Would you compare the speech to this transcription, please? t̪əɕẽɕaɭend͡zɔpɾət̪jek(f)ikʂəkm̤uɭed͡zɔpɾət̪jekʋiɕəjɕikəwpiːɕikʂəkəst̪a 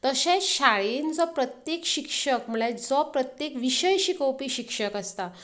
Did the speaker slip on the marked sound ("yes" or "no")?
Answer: yes